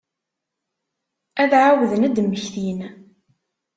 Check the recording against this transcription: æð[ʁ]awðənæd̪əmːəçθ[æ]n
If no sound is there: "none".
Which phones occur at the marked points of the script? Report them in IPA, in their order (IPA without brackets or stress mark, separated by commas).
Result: ʕ, i